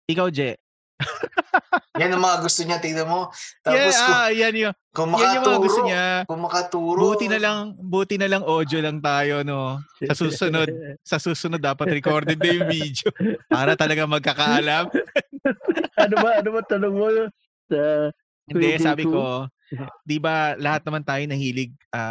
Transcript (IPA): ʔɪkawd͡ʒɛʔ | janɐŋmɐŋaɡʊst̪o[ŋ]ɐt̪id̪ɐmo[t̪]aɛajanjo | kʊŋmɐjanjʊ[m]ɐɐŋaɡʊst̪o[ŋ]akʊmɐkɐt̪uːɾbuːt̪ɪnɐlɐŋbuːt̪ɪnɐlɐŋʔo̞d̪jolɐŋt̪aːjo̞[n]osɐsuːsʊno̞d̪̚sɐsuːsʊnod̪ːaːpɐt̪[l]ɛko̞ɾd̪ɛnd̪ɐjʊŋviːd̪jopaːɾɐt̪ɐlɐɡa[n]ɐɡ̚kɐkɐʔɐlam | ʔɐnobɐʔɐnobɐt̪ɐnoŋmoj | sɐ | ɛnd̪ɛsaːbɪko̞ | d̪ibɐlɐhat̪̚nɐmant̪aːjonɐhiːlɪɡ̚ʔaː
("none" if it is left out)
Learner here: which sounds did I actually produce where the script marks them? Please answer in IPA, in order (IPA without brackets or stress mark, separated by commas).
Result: ɲ, t̪, m, ɲ, n, ɾ, m